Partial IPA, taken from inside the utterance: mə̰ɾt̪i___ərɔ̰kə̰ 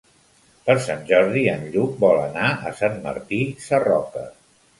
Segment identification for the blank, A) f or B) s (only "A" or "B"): B